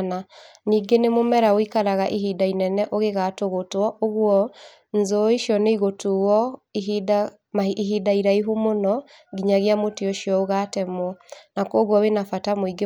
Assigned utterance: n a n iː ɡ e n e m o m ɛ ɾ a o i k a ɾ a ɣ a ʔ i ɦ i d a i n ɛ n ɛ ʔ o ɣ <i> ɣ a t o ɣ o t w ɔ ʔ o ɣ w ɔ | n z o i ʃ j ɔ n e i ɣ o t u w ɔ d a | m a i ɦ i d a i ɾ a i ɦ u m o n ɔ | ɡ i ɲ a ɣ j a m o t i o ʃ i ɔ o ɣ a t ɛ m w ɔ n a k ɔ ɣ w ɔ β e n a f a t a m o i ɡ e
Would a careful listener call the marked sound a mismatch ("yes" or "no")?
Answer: yes